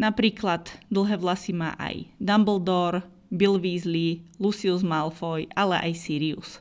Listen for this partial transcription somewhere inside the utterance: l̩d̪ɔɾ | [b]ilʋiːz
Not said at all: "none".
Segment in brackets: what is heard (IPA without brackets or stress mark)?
b